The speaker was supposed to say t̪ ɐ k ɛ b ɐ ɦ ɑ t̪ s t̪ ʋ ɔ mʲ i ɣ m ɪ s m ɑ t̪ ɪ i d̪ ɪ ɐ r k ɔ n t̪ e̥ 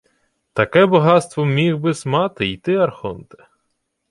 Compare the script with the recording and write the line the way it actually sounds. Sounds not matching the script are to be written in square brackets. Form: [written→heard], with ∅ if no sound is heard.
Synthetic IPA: t̪ ɐ k ɛ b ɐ ɦ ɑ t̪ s t̪ ʋ ɔ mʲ i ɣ [m→b] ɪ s m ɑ t̪ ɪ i [d̪→t̪] ɪ ɐ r [k→x] ɔ n t̪ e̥